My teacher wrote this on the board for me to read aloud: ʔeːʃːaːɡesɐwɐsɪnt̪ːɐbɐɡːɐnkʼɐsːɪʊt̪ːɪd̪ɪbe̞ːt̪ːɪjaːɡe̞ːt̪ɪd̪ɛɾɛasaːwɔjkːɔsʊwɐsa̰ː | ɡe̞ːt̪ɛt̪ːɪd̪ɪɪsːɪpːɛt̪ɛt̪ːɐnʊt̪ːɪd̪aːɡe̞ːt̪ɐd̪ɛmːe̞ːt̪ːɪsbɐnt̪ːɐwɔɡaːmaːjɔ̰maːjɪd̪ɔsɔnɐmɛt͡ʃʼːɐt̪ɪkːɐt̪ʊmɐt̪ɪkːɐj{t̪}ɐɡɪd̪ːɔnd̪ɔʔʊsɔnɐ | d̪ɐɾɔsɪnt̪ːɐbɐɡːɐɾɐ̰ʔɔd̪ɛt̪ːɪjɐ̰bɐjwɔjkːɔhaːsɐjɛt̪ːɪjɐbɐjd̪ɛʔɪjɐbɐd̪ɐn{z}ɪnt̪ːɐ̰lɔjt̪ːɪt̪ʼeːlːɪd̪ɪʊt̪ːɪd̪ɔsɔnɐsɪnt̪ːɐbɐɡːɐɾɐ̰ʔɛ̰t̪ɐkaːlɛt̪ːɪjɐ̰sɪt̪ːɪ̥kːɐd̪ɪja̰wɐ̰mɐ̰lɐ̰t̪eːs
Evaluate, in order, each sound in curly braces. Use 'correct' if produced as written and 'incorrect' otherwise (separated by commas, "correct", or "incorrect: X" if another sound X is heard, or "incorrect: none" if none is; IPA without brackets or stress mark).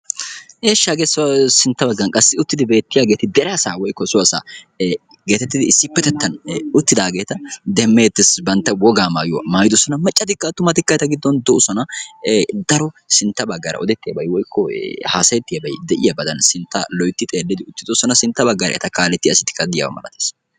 correct, incorrect: s